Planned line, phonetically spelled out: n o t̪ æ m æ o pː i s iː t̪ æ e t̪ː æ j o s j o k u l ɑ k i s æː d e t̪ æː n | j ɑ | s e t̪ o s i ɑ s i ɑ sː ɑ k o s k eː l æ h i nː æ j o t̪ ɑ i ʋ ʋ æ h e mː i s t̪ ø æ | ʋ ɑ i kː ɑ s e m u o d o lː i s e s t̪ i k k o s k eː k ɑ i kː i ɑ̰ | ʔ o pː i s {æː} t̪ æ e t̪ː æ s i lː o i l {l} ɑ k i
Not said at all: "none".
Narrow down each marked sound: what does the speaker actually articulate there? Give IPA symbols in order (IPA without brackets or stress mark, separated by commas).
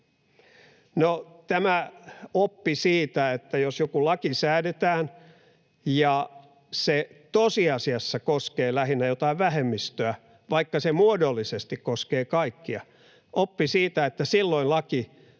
iː, l